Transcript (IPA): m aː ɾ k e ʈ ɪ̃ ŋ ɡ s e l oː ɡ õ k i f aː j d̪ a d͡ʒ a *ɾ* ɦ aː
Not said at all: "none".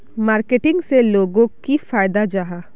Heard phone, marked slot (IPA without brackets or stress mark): none